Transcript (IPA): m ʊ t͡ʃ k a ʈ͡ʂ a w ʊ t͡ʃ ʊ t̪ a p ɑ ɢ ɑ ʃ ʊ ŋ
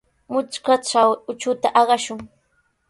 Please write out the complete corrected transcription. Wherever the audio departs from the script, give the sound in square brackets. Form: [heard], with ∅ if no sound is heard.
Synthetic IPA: m ʊ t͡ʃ k a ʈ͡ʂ a w ʊ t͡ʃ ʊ t̪ a [ʔ] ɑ ɢ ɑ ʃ ʊ ŋ